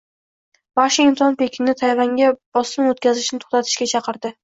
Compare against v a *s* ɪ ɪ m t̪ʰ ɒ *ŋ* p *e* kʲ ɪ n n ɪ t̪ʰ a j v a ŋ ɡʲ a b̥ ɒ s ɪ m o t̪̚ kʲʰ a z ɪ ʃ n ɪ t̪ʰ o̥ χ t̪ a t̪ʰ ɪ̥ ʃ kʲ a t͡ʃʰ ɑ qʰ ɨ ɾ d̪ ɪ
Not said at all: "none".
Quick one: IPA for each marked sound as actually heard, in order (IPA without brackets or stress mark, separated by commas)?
ʃ, n, e